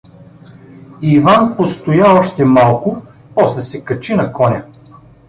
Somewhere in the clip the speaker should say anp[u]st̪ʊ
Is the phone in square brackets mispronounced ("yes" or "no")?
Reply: yes